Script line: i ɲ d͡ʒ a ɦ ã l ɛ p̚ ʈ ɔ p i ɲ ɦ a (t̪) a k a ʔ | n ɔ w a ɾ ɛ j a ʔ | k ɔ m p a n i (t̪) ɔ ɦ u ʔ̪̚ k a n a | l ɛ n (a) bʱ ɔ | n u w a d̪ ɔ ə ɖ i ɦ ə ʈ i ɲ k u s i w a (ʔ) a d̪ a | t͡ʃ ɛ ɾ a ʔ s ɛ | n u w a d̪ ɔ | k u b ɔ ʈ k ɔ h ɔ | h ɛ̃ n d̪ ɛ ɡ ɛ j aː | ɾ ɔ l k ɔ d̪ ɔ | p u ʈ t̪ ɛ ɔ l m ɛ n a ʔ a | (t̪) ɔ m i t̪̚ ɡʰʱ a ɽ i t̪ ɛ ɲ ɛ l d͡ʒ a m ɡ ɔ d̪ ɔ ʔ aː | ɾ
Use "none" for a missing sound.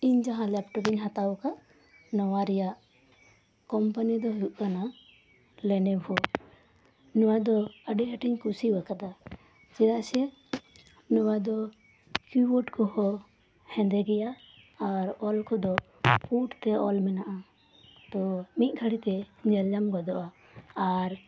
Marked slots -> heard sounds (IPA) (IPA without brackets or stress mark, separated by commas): t̪, d̪, ɛ, k, t̪